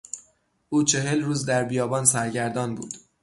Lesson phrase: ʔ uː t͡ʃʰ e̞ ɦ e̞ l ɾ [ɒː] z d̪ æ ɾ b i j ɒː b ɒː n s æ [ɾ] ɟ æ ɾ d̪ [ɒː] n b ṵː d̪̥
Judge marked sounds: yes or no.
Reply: no, yes, yes

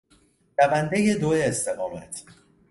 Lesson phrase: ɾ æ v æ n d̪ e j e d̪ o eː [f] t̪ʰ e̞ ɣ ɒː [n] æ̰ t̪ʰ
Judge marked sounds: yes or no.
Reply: no, no

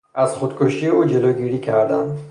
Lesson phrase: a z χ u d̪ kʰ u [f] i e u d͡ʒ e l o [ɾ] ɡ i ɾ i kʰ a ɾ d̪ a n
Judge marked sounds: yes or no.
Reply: no, no

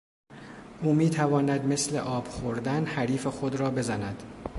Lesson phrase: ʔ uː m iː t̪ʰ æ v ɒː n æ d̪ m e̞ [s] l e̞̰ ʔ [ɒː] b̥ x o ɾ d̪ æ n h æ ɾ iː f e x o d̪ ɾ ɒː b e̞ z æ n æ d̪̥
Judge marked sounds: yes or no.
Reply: yes, yes

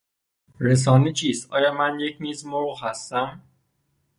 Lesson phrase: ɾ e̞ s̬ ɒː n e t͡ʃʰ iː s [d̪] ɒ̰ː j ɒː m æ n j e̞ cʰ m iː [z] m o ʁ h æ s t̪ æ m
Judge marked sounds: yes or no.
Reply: no, yes

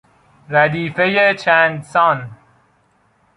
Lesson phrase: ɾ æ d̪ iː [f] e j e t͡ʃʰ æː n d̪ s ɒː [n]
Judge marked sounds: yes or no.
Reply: yes, yes

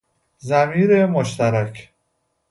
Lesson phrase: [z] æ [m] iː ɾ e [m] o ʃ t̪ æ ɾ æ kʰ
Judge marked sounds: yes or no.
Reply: yes, yes, yes

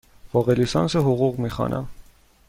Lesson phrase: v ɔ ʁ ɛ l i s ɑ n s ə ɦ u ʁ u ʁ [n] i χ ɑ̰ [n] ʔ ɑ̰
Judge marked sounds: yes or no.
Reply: no, yes

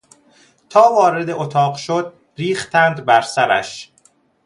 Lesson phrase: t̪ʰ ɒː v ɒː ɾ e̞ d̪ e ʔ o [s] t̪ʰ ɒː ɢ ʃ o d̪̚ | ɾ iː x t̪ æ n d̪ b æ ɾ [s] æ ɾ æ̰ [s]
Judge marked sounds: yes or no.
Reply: no, yes, no

